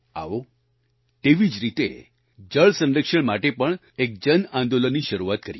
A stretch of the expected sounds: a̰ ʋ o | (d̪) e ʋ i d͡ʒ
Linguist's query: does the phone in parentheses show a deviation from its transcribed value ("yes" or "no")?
yes